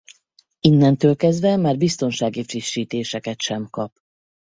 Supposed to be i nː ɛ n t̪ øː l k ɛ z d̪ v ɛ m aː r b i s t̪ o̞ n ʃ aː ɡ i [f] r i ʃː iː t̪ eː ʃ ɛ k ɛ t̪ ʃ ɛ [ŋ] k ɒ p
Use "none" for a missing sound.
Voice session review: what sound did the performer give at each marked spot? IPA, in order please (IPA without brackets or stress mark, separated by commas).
f, m